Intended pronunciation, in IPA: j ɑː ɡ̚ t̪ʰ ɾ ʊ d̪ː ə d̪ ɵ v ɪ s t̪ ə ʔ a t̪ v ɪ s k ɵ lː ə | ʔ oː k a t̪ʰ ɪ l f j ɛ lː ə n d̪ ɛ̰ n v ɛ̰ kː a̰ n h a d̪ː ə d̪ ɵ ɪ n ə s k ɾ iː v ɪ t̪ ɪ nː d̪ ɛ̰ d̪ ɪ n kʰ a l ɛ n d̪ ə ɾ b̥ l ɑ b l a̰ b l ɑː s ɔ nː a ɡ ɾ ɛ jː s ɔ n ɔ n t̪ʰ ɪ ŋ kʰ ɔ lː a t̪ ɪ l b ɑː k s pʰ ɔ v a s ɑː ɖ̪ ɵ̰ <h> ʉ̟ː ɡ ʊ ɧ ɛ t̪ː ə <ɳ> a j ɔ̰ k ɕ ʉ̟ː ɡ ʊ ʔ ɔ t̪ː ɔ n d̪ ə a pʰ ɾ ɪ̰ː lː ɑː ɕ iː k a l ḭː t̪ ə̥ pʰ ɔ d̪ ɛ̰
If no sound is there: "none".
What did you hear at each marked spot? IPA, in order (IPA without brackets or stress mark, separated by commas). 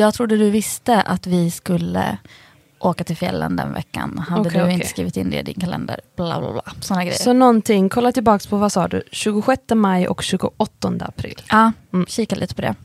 ɕ, m